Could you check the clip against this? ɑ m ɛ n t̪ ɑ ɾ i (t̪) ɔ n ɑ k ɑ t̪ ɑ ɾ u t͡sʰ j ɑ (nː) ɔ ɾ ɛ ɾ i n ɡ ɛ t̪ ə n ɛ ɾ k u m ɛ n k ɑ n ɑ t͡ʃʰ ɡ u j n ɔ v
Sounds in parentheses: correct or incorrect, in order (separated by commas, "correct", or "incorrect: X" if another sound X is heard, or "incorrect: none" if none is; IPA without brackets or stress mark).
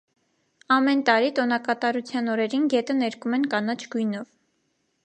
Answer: correct, incorrect: n